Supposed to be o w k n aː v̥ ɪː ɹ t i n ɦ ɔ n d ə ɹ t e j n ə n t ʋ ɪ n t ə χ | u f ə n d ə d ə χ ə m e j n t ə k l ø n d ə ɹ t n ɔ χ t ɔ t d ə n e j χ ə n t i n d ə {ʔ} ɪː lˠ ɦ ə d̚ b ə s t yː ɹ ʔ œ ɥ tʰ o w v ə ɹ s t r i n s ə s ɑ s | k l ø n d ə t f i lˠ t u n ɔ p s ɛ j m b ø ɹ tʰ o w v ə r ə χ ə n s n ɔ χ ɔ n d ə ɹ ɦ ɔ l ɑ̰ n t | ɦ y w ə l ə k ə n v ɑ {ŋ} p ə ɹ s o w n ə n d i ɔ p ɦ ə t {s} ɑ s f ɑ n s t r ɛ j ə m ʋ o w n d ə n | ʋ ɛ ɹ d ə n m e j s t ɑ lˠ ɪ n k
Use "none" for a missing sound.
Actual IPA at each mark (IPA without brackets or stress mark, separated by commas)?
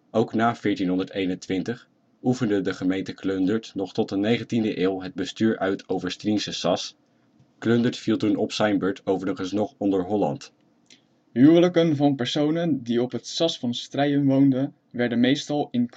ʔ, n, s